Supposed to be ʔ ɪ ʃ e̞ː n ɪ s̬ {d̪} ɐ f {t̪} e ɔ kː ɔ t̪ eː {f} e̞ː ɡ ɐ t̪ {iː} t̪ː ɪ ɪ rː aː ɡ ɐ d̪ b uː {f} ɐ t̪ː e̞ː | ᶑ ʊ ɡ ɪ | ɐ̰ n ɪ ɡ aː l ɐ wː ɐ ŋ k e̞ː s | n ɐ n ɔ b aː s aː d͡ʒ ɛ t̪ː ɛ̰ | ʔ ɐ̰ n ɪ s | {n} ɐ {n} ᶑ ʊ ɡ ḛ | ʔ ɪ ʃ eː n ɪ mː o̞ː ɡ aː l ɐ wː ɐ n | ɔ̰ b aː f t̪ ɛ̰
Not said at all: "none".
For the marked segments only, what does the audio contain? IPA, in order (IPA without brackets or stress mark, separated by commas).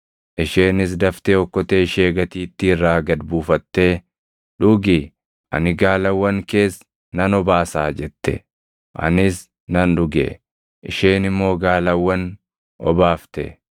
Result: d̪, t̪, ʃ, iː, f, n, n